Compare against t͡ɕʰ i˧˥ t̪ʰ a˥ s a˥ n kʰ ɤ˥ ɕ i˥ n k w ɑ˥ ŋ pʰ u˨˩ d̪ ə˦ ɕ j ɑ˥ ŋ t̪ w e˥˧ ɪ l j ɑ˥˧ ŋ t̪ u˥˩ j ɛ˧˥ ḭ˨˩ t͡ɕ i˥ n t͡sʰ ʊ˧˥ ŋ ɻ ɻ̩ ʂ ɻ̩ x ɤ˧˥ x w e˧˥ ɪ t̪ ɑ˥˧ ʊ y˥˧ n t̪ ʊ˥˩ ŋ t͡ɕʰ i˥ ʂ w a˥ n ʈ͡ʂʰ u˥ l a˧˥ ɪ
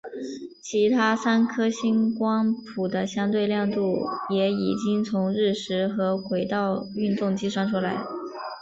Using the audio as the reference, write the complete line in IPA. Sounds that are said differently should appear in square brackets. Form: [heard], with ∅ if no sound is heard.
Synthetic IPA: t͡ɕʰ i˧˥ t̪ʰ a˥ s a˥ n kʰ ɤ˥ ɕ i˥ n k w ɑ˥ ŋ pʰ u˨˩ d̪ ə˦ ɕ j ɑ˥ ŋ t̪ w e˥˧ ɪ l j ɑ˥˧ ŋ t̪ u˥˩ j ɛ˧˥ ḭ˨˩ t͡ɕ i˥ [ŋ] t͡sʰ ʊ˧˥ ŋ ɻ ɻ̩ ʂ ɻ̩ x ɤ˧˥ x w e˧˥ ɪ t̪ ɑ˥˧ ʊ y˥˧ n t̪ ʊ˥˩ ŋ [t͡ɕ] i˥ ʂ w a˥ n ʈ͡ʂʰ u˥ l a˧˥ ɪ